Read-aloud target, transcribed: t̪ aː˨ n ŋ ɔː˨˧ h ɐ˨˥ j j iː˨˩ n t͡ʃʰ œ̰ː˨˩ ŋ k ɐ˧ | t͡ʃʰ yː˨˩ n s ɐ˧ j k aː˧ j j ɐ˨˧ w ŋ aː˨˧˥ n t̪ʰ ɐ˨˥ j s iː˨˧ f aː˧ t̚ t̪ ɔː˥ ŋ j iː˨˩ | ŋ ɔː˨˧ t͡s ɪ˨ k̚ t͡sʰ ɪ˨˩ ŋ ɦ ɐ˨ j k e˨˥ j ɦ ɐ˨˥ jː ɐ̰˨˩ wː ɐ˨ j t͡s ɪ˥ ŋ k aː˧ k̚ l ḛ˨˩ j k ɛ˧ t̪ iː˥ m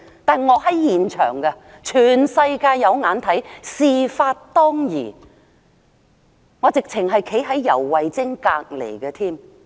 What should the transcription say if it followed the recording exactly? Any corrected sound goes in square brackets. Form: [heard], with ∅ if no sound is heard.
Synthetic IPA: t̪ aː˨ n ŋ ɔː˨˧ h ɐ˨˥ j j iː˨˩ n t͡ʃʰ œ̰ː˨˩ ŋ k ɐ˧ | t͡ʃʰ yː˨˩ n s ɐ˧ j k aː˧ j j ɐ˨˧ w ŋ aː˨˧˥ n t̪ʰ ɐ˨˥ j s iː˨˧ f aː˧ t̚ t̪ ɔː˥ ŋ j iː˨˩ | ŋ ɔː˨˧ t͡s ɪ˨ k̚ t͡sʰ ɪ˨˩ ŋ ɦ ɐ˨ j [kʰ] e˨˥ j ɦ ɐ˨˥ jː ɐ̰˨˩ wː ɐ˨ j t͡s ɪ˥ ŋ k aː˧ k̚ l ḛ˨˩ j k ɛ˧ [t̪ʰ] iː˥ m